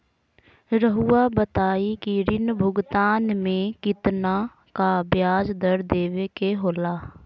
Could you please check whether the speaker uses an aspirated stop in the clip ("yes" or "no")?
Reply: no